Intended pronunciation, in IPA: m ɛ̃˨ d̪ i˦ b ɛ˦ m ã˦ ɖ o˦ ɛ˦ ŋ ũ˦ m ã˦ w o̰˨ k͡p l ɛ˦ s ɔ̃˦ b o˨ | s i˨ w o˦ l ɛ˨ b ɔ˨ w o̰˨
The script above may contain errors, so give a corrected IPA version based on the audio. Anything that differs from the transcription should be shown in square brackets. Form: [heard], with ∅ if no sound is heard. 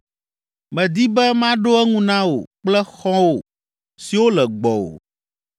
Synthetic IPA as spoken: m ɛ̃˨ d̪ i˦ b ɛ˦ m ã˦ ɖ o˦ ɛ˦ ŋ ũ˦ [n] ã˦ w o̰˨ k͡p l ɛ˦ [x] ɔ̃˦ [w] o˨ | s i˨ w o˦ l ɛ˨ [ɡ͡b] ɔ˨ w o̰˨